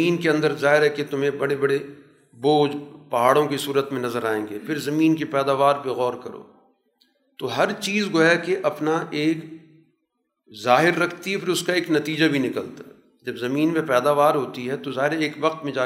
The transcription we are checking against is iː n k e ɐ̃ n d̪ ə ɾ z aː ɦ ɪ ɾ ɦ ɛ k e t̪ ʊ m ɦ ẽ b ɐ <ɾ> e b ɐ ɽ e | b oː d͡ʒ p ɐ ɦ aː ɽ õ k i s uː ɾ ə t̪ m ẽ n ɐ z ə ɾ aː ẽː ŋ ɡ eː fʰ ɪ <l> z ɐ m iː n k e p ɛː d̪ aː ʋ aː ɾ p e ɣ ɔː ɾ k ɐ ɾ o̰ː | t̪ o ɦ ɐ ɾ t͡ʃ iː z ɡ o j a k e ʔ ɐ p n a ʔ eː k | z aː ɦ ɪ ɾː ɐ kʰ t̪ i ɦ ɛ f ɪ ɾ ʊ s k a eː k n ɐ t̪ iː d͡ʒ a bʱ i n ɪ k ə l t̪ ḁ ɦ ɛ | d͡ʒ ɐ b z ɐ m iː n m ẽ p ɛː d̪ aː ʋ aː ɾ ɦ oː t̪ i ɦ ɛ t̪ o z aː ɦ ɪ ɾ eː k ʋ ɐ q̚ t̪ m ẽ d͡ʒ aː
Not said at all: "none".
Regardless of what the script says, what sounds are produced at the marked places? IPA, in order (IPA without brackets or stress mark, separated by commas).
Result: ɽ, ɾ